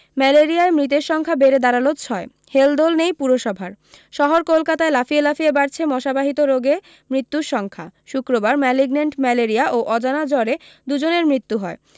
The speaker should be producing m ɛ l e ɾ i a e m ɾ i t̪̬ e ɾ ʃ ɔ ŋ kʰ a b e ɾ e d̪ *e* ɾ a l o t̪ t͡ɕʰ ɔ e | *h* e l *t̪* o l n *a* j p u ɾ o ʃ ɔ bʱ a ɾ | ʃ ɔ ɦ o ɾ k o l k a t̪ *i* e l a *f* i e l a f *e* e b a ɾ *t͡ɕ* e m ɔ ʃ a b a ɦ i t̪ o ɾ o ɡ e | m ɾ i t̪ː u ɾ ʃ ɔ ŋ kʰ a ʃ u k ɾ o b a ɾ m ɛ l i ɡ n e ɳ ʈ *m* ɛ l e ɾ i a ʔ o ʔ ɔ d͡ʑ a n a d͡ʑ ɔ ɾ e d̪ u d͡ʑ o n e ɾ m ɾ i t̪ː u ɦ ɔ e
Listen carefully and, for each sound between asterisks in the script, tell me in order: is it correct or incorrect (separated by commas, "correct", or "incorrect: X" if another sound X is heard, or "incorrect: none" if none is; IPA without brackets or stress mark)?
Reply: incorrect: a, correct, incorrect: d̪, incorrect: e, incorrect: a, correct, incorrect: i, incorrect: t͡ɕʰ, correct